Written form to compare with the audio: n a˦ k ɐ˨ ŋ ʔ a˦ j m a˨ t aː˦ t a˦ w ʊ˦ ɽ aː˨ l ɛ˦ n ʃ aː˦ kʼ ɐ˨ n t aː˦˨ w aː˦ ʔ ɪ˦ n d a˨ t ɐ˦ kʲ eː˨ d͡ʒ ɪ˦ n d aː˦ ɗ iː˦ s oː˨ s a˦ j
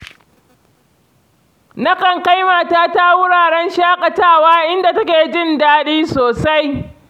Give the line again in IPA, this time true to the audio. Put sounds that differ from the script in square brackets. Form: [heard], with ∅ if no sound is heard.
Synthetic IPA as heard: n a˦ k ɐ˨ ŋ [k] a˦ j m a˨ t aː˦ t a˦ w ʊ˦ ɽ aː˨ [ɽ] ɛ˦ n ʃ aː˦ kʼ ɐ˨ [∅] t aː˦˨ w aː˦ ʔ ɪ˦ n d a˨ t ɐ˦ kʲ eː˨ d͡ʒ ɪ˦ n d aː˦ ɗ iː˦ s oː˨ s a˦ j